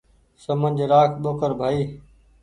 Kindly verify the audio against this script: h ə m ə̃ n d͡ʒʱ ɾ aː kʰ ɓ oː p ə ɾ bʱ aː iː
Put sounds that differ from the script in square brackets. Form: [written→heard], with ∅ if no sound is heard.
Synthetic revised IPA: [h→s] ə m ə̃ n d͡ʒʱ ɾ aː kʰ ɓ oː [p→k] ə ɾ bʱ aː iː